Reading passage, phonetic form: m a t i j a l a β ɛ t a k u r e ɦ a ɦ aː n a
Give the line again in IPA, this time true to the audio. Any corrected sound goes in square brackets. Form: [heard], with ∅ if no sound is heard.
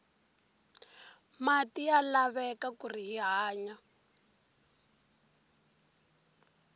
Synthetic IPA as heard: m a t i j a l a β ɛ [k] a k u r [i] ɦ [i] ɦ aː [ɲ] a

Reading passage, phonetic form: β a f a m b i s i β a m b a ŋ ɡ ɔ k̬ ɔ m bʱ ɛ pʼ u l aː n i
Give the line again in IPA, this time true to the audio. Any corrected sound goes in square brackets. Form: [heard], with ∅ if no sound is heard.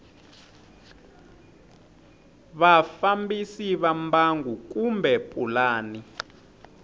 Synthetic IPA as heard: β a f a m b i s i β a m b a ŋ ɡ [u] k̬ [u] m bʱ ɛ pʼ u l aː n i

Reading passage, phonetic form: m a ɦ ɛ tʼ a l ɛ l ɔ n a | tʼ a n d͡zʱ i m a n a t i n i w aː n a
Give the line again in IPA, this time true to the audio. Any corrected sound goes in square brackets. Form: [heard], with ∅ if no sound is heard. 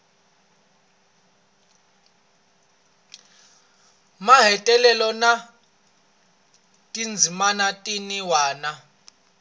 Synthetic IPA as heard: m a ɦ ɛ tʼ [ɛ] l ɛ l ɔ n a | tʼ [i] n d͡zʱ i m a n a [tʼ] i n i w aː n a

